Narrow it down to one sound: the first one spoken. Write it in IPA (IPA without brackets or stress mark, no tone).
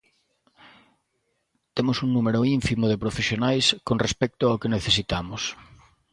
t̪